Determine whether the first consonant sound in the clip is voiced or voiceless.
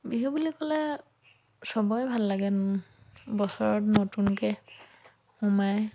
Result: voiced